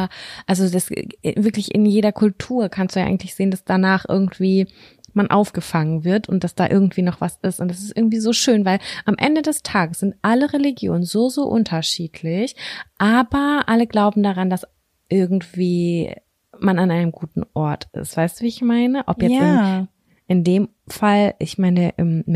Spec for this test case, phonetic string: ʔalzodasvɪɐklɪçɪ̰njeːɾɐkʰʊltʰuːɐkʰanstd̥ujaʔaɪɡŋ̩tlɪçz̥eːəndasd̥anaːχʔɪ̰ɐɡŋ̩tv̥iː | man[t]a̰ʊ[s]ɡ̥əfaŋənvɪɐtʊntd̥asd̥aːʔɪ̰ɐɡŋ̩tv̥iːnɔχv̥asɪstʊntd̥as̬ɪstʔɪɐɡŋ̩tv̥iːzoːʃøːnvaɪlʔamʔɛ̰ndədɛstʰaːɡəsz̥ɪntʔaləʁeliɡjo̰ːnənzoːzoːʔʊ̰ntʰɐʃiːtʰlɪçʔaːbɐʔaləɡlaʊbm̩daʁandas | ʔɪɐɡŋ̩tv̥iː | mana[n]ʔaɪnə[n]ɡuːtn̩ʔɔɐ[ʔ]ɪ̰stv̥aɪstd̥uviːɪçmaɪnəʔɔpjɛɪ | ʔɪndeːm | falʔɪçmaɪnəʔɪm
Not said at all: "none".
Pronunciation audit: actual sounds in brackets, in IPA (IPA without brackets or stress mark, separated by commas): ʔ, f, n, m, t